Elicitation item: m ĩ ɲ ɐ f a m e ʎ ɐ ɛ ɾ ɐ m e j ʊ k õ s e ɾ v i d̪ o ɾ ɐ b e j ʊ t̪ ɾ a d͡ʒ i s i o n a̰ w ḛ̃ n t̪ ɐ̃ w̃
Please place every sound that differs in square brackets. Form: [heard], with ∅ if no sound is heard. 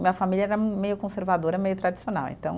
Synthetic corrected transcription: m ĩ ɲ ɐ f a m [i] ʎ ɐ ɛ ɾ ɐ m e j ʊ k õ s e ɾ v [a] d̪ o ɾ ɐ [m] e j ʊ t̪ ɾ a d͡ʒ i s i o n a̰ w ḛ̃ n t̪ ɐ̃ w̃